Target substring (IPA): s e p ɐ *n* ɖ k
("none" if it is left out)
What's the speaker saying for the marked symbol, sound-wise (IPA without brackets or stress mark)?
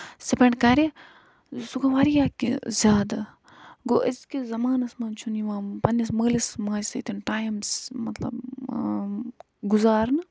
ɳ